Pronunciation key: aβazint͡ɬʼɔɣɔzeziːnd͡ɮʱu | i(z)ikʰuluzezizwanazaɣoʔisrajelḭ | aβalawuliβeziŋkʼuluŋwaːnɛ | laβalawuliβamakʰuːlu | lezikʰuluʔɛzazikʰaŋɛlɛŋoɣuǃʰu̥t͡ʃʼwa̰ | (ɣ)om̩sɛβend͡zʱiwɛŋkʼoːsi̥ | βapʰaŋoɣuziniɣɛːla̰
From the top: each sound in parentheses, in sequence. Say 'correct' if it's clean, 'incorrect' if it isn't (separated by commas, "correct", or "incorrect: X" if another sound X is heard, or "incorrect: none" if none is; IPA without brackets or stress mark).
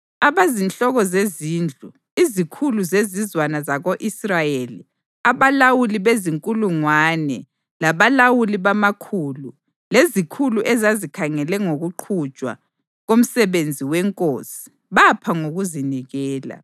correct, correct